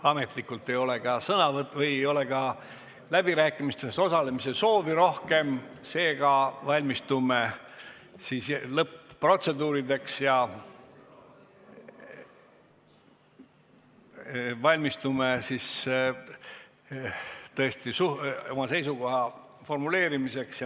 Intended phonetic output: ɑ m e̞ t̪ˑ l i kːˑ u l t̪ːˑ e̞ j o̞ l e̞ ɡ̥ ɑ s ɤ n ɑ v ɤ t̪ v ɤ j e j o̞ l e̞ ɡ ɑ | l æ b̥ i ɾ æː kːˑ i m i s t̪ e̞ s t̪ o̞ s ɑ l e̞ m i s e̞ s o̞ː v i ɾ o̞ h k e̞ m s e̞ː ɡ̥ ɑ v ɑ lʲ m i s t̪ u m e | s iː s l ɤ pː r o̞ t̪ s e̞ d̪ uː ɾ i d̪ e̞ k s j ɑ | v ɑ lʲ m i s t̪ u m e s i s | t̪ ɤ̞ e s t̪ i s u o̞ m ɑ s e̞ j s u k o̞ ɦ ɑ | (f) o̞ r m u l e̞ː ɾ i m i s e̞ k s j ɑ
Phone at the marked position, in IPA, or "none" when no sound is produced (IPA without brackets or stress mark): f